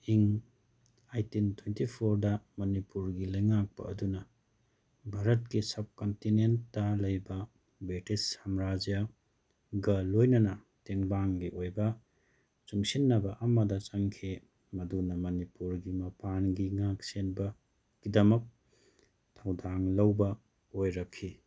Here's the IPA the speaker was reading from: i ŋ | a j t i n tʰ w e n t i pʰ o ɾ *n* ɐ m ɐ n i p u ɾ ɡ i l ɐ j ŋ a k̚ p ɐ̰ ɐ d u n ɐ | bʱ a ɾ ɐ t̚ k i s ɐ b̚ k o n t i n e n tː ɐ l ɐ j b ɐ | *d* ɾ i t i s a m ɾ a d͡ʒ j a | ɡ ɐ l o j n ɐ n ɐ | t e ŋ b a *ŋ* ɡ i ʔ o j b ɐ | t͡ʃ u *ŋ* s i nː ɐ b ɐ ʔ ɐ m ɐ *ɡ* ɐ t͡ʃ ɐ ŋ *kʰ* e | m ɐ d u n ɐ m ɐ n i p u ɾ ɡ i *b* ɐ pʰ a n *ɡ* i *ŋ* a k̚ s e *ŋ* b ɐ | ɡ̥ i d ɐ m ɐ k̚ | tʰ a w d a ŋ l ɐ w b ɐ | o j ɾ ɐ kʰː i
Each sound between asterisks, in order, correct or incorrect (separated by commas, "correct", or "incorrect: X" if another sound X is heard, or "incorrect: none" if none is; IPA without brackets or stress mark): incorrect: d, incorrect: b, correct, correct, incorrect: d, correct, incorrect: m, correct, correct, incorrect: n